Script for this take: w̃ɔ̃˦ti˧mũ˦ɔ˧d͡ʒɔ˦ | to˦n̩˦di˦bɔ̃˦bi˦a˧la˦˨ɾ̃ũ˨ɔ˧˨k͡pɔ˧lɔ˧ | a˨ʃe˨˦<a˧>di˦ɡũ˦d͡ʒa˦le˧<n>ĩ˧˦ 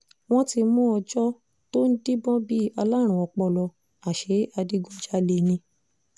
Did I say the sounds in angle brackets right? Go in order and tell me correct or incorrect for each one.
correct, correct

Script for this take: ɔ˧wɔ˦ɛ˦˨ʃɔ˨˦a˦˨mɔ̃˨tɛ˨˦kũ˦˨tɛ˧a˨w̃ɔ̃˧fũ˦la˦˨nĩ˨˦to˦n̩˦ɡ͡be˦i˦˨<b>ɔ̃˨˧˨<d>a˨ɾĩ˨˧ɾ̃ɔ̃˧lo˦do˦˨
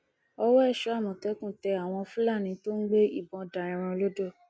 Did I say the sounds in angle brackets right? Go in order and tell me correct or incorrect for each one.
correct, correct

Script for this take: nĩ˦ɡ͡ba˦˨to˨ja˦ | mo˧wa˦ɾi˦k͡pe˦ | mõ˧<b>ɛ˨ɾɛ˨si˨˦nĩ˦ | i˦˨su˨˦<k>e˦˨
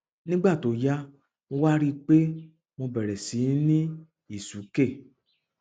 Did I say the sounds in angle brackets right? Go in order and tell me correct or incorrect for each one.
correct, correct

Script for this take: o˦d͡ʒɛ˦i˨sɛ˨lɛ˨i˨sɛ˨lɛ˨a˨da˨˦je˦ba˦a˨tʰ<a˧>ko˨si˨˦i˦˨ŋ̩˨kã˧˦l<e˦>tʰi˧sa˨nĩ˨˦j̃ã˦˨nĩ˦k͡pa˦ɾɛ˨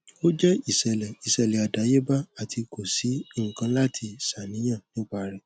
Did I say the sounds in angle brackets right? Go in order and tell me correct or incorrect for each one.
incorrect, incorrect

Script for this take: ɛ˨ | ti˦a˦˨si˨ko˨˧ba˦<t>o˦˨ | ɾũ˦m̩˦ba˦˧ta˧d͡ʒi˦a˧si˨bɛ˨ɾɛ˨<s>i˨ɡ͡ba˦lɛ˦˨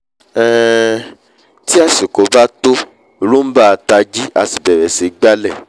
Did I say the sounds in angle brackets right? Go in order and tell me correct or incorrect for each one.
correct, correct

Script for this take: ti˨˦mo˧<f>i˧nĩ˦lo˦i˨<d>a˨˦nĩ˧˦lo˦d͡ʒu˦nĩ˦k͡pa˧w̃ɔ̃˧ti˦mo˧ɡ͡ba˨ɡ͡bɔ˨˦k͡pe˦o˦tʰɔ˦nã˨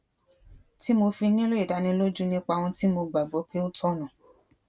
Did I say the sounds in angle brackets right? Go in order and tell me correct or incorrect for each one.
correct, correct

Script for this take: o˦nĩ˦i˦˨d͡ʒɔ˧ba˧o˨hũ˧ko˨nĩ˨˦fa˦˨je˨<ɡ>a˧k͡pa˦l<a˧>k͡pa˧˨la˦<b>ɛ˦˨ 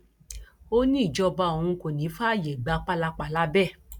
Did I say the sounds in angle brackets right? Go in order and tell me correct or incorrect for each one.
incorrect, correct, correct

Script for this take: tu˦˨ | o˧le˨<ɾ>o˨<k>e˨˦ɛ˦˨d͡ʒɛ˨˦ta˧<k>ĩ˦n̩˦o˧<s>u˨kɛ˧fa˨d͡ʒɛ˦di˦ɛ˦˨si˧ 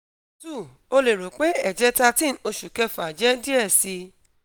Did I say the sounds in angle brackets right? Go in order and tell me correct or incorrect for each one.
correct, incorrect, incorrect, incorrect

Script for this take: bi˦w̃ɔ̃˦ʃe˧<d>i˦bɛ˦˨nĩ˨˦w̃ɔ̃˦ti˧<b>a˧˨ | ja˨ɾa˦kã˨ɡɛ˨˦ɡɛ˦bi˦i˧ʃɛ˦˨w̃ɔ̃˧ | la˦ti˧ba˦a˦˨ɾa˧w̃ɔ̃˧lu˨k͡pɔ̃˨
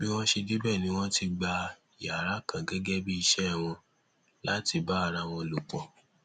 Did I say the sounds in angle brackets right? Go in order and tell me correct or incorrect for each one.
correct, incorrect

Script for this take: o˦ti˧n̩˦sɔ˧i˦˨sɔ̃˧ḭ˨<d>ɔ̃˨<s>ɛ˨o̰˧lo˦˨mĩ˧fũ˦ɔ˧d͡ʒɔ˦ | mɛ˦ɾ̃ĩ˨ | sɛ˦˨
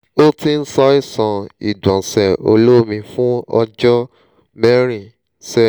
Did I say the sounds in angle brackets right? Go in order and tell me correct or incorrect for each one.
correct, correct

